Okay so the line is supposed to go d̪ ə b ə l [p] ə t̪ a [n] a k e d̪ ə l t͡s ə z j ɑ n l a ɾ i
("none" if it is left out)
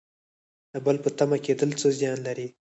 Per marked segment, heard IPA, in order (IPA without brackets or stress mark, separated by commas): p, m